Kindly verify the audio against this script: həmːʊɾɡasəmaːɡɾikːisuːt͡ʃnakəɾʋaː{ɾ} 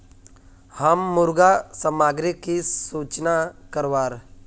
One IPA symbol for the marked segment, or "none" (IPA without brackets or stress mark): ɾ